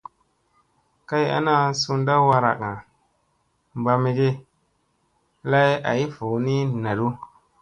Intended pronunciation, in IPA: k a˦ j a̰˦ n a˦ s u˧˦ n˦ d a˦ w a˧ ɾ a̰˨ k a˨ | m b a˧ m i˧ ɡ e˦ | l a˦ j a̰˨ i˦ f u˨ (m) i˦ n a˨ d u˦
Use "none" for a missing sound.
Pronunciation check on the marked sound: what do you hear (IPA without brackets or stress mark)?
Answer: n